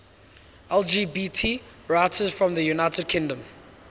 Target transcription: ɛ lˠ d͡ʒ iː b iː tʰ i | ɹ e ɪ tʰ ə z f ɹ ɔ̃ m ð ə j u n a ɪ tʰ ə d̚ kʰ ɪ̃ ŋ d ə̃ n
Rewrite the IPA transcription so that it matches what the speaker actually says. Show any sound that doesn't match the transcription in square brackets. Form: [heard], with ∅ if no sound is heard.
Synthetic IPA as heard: ɛ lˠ d͡ʒ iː b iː tʰ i | ɹ [a] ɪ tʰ ə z f ɹ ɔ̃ m ð ə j u n a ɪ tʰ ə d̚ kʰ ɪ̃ ŋ d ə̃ [m]